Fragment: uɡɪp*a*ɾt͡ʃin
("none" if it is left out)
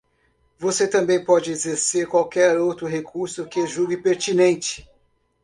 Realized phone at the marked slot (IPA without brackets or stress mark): e